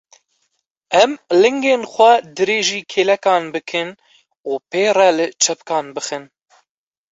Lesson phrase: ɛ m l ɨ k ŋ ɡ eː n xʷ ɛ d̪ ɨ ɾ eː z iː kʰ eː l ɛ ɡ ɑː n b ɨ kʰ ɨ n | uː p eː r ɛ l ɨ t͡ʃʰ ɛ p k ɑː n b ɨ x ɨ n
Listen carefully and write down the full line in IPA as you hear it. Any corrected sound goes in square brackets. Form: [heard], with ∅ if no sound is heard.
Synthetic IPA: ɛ m l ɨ [∅] ŋ ɡ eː n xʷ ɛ d̪ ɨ ɾ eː [ʒ] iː kʰ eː l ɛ [k] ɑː n b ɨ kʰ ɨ n | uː p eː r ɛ l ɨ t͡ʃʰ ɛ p k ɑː n b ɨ x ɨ n